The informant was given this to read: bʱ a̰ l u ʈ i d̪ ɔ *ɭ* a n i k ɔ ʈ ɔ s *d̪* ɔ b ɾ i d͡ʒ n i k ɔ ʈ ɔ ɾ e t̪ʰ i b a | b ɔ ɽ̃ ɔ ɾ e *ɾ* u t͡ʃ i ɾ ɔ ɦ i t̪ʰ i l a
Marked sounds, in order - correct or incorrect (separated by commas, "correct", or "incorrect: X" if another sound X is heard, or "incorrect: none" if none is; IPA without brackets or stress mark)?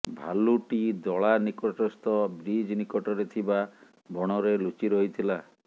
correct, incorrect: t̪, incorrect: l